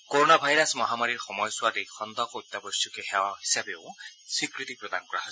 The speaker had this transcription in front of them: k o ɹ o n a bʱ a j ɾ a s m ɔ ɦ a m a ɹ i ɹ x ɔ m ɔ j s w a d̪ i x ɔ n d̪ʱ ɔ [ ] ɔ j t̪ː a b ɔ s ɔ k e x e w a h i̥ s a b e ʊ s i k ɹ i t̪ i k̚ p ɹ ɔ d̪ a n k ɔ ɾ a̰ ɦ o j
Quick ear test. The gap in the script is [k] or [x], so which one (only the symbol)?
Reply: k